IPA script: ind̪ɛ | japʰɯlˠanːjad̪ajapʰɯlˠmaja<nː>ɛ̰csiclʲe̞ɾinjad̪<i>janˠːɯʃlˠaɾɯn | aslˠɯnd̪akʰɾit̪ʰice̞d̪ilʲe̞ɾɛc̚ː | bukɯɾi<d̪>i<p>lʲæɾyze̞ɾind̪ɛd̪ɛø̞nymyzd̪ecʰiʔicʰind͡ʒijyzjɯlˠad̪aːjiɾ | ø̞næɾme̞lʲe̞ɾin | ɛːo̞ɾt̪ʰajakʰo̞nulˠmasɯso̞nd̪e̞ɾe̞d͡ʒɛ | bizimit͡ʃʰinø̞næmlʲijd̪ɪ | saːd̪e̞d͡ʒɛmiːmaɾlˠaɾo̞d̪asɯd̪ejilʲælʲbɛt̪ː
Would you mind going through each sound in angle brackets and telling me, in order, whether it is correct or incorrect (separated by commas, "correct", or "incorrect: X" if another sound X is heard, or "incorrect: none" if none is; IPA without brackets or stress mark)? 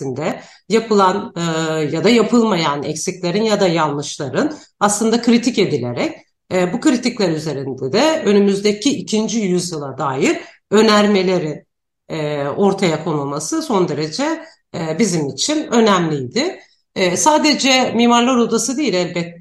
incorrect: n, incorrect: a, incorrect: t̪, incorrect: c